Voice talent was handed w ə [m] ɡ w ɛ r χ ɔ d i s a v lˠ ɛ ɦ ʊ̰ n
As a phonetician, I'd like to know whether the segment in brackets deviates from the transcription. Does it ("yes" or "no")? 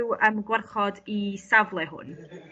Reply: no